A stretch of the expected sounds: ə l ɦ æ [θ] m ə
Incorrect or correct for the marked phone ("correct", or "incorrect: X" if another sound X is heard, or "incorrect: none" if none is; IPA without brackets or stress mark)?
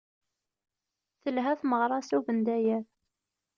correct